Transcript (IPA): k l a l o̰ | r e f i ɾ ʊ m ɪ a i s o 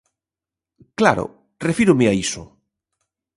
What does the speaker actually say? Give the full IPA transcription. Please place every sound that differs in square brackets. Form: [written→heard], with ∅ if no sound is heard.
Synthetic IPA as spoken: k l a [l→ɾ] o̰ | r e f i ɾ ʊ m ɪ a i s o